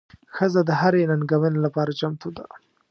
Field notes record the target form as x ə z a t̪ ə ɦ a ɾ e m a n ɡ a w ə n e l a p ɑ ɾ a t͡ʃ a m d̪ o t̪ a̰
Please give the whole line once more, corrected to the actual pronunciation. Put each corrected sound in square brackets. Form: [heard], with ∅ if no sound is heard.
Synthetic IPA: x ə z a [d̪] ə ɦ a ɾ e [n] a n ɡ a w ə n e l a p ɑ ɾ a t͡ʃ a m [t̪] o [d̪] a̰